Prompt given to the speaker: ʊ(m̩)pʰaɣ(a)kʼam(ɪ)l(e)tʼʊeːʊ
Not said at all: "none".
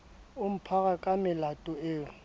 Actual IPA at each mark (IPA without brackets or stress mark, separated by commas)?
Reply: m̩, a, ɪ, a